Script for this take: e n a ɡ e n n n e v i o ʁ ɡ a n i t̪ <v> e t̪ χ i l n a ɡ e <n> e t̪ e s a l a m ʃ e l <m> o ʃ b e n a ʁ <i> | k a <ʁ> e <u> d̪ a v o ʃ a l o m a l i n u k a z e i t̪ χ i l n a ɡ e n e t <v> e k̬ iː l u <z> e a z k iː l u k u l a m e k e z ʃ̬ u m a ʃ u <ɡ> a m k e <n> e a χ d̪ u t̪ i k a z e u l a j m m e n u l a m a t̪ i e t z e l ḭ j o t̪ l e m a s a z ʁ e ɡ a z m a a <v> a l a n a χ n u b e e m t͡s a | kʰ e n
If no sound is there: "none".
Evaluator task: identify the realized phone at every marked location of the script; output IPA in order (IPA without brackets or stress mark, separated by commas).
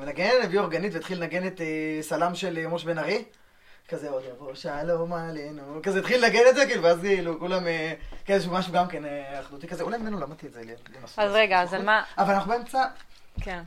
v, n, m, i, z, o, z, v, ɡ, n, v